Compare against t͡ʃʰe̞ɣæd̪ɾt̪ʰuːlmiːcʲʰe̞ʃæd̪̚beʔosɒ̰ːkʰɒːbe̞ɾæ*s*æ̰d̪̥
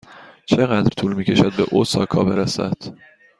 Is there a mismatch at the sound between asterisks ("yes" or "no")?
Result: no